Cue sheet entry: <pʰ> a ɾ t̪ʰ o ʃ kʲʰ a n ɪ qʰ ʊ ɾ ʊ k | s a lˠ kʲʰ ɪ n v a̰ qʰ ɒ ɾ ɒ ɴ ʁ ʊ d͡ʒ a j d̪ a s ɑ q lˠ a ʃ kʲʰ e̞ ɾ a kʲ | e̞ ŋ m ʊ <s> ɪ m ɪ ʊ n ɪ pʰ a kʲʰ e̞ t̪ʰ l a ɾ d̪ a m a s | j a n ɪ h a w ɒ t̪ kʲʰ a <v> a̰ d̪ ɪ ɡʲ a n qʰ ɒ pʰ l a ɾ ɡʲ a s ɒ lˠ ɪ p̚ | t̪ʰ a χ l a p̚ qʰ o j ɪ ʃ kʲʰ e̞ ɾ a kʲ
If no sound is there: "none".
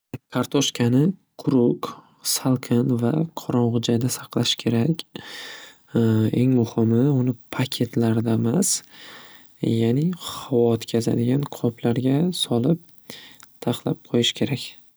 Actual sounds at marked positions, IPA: kʰ, h, z

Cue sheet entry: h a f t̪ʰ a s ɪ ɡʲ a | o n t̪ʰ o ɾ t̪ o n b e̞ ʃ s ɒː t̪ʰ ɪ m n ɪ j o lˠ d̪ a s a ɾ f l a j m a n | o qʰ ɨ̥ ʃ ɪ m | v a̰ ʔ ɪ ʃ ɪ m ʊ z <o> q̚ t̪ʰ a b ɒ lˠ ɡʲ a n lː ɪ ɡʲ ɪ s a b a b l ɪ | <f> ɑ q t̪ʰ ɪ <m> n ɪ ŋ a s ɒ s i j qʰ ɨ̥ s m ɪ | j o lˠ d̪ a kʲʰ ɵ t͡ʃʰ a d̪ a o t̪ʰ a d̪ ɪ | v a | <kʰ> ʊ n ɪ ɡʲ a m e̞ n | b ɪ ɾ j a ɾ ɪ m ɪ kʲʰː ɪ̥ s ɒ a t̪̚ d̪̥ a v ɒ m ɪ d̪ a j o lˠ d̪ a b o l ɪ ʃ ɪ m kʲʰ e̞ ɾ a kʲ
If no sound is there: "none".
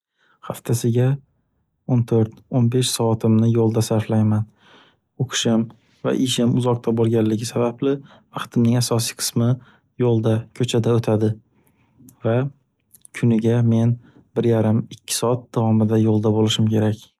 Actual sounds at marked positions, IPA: ɒ, v, m, kʰ

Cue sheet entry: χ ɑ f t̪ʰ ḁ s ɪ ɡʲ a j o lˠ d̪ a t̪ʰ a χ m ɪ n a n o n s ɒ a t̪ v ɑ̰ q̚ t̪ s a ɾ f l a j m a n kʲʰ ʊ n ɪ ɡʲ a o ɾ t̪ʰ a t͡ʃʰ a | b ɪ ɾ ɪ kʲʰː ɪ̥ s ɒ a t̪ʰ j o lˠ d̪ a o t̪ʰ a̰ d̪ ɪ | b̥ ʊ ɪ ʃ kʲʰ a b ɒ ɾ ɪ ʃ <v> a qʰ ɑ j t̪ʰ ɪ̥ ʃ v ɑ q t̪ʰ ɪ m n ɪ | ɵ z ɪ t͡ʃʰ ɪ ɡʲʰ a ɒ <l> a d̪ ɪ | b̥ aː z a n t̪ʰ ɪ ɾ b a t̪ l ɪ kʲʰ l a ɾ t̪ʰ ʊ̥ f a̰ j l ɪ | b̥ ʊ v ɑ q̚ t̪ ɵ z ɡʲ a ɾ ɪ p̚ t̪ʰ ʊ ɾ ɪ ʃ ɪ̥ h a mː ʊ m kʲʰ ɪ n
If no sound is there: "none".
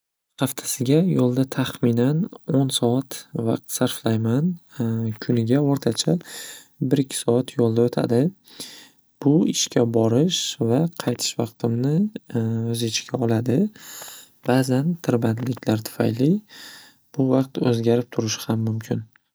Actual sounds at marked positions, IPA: v, l

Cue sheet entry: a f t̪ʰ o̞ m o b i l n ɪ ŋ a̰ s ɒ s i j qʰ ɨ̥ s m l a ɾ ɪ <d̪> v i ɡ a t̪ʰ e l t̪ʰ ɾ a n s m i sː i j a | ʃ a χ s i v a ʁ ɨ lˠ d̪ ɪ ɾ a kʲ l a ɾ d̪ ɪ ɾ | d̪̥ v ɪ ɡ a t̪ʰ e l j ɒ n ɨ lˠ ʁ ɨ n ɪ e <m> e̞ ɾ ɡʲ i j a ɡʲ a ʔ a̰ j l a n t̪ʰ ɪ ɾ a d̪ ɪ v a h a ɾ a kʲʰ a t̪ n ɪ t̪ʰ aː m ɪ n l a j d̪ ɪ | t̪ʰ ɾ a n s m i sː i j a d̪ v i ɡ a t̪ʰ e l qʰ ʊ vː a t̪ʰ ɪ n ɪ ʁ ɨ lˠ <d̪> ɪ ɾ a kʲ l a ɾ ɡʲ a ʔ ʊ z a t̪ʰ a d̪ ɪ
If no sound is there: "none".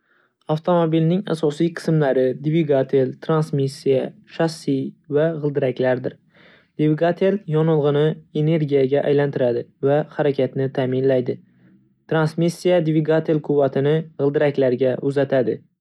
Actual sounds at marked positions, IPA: d̪, n, d̪

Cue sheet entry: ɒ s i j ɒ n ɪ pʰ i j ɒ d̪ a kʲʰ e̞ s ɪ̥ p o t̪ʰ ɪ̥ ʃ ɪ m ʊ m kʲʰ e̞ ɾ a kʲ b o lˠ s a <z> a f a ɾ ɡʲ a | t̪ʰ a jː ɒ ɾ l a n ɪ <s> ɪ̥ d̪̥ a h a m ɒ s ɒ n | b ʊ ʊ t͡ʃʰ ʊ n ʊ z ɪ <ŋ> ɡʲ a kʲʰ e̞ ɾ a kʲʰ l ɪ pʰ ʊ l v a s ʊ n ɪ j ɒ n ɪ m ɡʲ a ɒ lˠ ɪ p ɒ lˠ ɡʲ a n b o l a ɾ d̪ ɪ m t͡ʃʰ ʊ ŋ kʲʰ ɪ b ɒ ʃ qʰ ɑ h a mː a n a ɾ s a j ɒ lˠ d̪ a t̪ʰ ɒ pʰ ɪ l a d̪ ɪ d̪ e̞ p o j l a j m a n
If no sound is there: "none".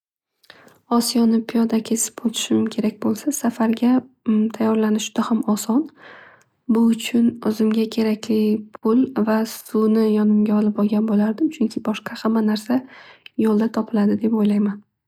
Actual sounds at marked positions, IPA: s, ʃ, m

